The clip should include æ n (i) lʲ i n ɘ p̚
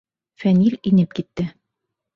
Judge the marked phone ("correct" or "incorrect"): correct